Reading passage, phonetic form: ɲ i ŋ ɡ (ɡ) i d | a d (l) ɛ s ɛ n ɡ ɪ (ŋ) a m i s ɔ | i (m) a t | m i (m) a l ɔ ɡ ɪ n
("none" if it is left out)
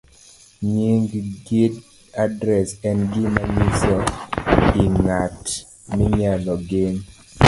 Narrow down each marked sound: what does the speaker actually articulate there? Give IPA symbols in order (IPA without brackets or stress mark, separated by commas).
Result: ɡ, ɾ, m, ŋ, ɲ